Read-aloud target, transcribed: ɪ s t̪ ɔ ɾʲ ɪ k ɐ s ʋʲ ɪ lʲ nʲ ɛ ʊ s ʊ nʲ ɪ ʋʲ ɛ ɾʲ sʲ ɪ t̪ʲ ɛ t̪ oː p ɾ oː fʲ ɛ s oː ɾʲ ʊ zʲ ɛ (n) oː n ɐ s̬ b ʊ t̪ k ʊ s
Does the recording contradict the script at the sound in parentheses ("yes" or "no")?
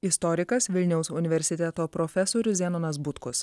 no